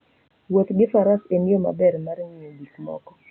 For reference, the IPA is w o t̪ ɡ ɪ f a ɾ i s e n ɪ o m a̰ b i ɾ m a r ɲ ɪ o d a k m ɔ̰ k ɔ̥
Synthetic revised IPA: w o t̪ ɡ ɪ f a ɾ a s e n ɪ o m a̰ b ɛ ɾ m a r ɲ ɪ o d i k m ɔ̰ k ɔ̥